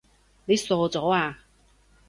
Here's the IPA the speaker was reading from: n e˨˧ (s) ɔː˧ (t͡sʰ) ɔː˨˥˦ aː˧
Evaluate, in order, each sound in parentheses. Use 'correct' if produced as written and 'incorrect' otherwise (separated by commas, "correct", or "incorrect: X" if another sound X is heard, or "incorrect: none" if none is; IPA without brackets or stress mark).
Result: correct, incorrect: t͡s